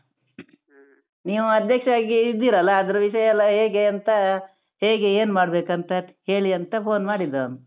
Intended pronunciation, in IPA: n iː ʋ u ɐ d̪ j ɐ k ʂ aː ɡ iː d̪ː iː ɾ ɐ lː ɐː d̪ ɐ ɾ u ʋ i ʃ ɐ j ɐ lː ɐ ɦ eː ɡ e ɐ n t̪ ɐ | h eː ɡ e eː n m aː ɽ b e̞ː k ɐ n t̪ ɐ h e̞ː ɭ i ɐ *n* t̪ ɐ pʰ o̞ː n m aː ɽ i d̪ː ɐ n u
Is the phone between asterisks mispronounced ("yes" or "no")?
no